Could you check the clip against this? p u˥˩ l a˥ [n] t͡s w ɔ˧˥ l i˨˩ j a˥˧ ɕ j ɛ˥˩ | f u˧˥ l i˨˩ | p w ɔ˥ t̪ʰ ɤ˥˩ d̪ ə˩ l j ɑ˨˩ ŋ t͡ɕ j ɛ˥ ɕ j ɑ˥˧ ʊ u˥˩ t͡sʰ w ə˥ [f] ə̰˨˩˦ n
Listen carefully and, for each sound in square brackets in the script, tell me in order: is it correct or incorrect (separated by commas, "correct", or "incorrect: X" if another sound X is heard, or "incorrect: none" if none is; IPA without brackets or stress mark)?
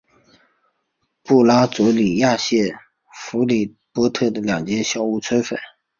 incorrect: none, correct